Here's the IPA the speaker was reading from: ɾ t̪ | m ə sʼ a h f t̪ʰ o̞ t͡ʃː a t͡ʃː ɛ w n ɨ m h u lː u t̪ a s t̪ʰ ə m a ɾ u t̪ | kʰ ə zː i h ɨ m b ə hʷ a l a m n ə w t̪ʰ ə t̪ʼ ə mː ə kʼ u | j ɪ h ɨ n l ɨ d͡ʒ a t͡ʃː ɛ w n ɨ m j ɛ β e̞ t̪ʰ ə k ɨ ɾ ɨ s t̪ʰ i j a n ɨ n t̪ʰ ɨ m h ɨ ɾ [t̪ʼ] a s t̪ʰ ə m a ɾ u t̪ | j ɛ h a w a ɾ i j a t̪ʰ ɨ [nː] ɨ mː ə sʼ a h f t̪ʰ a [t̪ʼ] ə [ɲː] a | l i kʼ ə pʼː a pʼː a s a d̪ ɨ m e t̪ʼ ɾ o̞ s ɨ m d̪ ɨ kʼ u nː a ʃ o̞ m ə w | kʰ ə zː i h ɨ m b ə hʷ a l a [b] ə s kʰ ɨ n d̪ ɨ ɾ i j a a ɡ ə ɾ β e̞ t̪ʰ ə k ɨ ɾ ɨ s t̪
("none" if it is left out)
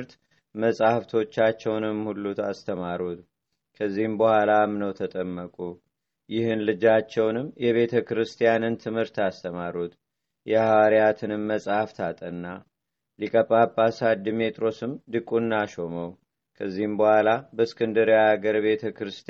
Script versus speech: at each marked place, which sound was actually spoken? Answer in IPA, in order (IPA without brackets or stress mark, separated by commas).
t̪, n, t̪ʼ, nː, b